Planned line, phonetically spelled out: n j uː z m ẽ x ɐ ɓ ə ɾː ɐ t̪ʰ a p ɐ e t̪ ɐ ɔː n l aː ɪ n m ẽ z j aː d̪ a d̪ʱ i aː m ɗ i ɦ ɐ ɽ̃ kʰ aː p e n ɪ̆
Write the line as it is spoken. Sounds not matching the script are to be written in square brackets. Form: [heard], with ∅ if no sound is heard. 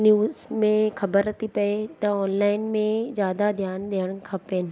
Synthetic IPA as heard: n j uː z m ẽ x ɐ [b] ə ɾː ɐ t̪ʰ [i] p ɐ e t̪ ɐ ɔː n l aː ɪ n m ẽ z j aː d̪ a d̪ʱ [j] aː [n] ɗ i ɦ [ə] ɽ̃ kʰ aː p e n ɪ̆